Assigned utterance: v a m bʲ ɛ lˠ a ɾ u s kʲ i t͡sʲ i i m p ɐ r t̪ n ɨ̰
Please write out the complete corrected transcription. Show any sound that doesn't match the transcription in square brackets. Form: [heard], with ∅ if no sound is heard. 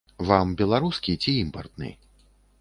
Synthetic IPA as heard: v a m bʲ ɛ lˠ a ɾ u s kʲ i t͡sʲ i i m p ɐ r t̪ n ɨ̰